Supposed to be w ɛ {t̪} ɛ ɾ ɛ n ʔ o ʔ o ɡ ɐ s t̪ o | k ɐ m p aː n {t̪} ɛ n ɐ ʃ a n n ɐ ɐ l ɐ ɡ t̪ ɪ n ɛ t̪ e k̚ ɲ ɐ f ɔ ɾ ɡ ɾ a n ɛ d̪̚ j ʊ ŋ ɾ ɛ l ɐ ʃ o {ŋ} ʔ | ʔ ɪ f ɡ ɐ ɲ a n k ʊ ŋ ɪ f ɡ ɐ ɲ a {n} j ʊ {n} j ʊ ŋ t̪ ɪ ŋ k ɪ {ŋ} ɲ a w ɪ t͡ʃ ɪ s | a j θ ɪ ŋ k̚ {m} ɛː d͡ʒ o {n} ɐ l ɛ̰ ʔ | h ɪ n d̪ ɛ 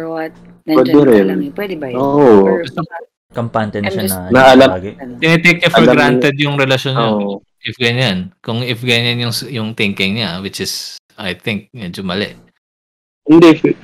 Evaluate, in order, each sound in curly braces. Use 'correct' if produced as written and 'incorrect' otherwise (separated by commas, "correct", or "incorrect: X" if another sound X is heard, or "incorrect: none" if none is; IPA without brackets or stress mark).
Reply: incorrect: d̪, correct, incorrect: n, correct, incorrect: ŋ, correct, correct, incorrect: m